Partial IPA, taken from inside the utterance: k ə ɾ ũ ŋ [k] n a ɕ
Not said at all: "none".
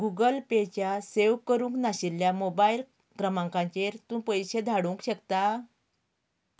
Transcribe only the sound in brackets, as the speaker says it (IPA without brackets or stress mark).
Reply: k